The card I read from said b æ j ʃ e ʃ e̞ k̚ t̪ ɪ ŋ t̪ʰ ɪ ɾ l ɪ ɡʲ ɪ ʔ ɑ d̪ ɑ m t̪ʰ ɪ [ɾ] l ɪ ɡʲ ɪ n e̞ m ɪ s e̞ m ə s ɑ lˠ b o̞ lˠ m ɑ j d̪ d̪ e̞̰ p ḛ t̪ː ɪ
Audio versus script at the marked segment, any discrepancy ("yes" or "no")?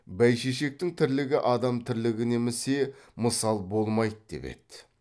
no